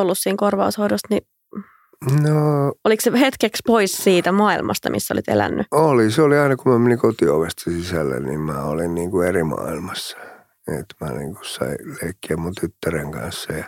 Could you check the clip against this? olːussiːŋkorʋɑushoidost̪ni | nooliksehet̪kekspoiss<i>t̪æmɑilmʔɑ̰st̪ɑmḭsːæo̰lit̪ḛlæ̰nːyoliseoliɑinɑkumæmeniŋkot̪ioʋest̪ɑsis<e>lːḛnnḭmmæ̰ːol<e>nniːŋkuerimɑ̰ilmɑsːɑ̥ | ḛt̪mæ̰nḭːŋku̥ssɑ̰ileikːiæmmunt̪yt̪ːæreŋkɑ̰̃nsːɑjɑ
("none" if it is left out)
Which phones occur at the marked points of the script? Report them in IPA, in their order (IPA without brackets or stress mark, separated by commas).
iː, æ, i